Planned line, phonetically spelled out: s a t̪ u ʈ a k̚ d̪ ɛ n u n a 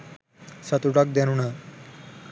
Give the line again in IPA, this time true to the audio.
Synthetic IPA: s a t̪ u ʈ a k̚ d̪ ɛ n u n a

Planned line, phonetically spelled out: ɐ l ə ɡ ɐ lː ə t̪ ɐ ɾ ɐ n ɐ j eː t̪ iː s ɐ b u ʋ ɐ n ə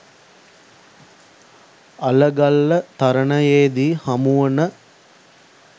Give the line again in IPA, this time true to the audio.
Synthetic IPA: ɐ l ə ɡ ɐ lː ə t̪ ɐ ɾ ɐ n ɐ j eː d̪ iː h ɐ m u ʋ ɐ n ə

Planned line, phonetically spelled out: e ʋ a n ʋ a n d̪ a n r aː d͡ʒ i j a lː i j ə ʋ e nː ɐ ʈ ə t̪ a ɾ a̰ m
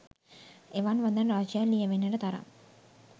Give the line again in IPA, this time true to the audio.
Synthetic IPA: e ʋ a n ʋ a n d̪ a n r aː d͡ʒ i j a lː i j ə ʋ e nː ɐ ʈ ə t̪ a ɾ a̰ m

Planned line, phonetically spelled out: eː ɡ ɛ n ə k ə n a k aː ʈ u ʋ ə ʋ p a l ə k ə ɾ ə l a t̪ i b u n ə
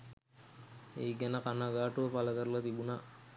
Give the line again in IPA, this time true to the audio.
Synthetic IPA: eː ɡ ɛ n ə k a n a ɡ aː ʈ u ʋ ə p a l ə k ə ɾ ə l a t̪ i b u n a

